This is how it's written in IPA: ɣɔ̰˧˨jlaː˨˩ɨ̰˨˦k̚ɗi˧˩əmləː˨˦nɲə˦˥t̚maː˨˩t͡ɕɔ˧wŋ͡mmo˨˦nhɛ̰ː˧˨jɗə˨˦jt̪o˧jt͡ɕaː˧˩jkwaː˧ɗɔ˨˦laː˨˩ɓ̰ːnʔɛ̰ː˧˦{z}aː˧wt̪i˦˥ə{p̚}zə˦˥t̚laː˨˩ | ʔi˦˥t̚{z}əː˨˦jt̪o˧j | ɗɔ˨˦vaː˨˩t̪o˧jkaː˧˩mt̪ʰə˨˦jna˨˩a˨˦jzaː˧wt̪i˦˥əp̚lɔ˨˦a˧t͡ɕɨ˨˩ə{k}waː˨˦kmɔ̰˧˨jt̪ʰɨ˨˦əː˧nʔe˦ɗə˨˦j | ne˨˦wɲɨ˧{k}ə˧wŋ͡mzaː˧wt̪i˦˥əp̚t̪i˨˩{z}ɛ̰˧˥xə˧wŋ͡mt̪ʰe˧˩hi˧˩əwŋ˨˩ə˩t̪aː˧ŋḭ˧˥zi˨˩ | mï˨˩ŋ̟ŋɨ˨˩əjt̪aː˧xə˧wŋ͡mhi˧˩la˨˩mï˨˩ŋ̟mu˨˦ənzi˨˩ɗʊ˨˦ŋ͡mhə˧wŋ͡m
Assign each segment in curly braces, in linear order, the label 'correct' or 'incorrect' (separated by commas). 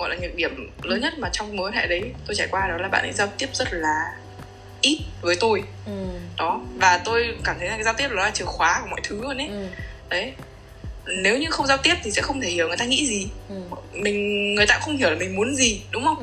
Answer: correct, correct, incorrect, incorrect, incorrect, incorrect